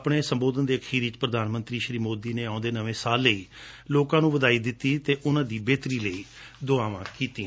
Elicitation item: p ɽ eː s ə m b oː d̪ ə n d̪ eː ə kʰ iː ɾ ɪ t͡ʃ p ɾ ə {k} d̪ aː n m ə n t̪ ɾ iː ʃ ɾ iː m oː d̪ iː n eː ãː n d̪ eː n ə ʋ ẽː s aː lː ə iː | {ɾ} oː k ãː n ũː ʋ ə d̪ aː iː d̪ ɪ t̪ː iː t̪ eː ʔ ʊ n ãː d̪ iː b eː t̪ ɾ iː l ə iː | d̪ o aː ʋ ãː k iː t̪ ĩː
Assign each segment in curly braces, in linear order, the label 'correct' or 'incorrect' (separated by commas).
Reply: incorrect, incorrect